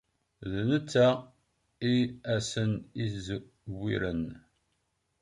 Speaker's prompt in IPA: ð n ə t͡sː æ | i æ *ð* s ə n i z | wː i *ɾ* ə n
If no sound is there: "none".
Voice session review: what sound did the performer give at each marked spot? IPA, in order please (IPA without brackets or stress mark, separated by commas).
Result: none, ɾ